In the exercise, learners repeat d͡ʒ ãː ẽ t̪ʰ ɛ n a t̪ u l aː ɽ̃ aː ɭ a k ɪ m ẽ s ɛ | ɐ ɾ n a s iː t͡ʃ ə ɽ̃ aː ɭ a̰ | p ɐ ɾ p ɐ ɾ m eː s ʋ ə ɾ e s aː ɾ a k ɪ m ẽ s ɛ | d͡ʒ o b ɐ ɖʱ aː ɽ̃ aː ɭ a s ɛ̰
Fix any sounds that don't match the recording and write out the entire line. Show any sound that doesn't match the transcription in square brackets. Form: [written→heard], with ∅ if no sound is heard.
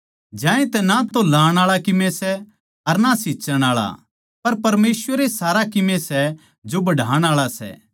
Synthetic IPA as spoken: d͡ʒ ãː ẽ [t̪ʰ→t̪] ɛ n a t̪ [u→o] l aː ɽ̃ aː ɭ a k ɪ m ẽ s ɛ | ɐ ɾ n a s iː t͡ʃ ə ɽ̃ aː ɭ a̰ | p ɐ ɾ p ɐ ɾ m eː s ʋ ə ɾ e s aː ɾ a k ɪ m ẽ s ɛ | d͡ʒ o b ɐ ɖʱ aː ɽ̃ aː ɭ a s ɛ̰